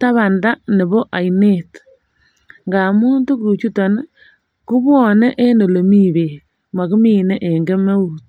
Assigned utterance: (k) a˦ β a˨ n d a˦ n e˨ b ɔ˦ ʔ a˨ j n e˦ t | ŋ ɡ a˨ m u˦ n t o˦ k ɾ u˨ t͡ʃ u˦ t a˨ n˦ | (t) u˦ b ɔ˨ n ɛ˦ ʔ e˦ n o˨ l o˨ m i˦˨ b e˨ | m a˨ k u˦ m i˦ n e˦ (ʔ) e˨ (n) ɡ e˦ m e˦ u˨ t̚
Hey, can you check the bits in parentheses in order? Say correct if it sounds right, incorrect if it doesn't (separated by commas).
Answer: incorrect, incorrect, correct, incorrect